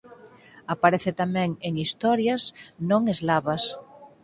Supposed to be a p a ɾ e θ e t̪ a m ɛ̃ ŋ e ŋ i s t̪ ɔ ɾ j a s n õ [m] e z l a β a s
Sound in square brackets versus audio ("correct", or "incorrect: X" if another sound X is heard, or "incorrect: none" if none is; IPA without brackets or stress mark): incorrect: ŋ